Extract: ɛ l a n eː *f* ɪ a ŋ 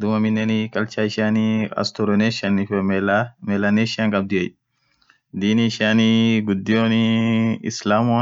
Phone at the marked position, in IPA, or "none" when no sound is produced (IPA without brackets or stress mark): ʃ